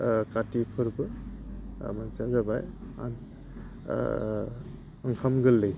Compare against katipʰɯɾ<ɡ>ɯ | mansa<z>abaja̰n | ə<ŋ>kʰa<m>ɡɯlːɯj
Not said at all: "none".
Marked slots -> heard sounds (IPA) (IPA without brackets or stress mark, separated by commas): b, z, ŋ, m